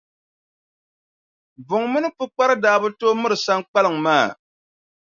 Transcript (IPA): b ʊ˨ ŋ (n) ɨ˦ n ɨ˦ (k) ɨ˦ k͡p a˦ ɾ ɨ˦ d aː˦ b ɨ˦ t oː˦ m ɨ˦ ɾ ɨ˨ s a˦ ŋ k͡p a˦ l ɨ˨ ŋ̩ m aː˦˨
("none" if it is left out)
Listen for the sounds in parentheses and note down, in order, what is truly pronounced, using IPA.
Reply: m, p

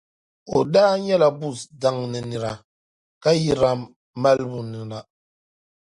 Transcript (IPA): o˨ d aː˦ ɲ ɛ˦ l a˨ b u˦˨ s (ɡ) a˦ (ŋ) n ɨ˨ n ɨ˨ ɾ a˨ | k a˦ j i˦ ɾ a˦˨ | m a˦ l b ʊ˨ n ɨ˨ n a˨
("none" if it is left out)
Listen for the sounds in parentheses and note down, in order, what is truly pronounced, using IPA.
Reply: d, ŋ

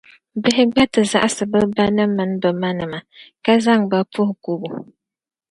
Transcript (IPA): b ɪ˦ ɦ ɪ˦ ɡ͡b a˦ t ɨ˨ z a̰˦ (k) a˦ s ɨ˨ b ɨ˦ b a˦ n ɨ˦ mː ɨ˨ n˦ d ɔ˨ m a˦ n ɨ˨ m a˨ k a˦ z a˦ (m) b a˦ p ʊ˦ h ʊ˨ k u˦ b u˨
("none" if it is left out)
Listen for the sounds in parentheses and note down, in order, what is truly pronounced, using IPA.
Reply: ʔ, ŋ

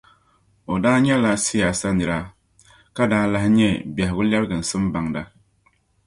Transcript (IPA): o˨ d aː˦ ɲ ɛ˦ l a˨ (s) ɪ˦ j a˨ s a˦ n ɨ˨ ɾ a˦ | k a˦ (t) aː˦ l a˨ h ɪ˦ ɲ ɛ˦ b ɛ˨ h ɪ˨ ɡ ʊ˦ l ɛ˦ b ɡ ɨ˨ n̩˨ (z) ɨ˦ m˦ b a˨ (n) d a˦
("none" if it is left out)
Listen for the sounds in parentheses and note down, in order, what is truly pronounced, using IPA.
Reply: s, d, s, ŋ

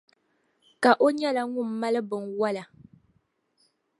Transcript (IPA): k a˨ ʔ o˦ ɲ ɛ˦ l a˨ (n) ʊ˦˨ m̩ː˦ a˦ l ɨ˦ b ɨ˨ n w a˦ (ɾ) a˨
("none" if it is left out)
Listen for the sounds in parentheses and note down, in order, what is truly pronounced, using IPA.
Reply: ŋ, l

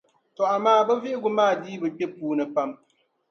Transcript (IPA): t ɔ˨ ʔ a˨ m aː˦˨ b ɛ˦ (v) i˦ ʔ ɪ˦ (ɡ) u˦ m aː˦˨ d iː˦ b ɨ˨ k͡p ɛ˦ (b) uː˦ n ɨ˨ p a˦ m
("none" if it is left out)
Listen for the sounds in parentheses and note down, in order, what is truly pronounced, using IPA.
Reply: v, ɡ, p

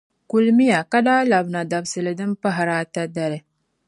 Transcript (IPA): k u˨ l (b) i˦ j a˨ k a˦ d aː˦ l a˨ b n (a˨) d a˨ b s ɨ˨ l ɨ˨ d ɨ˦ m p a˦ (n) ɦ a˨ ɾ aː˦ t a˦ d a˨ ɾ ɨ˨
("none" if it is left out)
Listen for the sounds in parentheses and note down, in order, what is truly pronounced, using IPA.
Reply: m, a˨, none

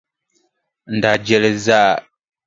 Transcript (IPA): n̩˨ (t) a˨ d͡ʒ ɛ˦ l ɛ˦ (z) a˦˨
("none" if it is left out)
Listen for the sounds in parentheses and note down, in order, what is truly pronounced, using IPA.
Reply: d, z

